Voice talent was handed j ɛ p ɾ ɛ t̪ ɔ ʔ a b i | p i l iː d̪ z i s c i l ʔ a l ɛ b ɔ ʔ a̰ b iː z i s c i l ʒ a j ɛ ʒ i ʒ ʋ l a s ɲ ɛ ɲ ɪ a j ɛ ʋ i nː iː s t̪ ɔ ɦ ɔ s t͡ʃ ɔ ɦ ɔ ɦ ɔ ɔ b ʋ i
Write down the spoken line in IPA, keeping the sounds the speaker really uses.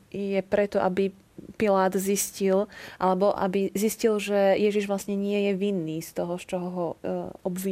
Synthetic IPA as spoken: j ɛ p ɾ ɛ t̪ ɔ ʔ a b i | p i l aː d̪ z i s c i l ʔ a l ɛ b ɔ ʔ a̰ b i z i s c i l ʒ ɛ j ɛ ʒ i ʒ ʋ l a s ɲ ɛ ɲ ɪ ɛ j ɛ ʋ i nː iː s t̪ ɔ ɦ ɔ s t͡ʃ ɔ ɦ ɔ ɦ ɔ ɔ b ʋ i